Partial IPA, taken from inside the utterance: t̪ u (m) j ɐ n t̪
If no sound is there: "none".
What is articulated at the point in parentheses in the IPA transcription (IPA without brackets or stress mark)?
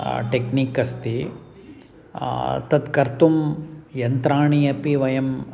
m